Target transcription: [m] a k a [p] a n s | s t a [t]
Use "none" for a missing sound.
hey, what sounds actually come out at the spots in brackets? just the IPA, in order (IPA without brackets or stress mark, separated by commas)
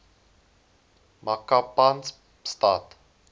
m, p, t